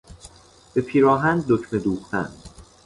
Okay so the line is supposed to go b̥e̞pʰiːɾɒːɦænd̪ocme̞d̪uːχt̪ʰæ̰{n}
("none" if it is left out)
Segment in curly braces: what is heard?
n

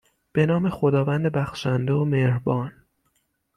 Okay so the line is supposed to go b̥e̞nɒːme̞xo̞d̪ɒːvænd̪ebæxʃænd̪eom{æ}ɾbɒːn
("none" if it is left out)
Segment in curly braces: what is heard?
e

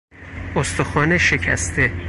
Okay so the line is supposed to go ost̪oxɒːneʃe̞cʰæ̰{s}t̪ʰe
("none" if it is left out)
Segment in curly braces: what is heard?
s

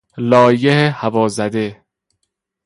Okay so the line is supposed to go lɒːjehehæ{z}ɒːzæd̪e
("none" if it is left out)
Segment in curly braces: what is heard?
v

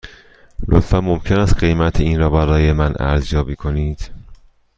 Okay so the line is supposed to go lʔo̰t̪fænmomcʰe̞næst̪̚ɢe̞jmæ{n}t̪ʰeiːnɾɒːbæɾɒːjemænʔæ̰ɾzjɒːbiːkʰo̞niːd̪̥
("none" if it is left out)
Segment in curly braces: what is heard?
none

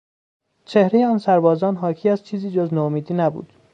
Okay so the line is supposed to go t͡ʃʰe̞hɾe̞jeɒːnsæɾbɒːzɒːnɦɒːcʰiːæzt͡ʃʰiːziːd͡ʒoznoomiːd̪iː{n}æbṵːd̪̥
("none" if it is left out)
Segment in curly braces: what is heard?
n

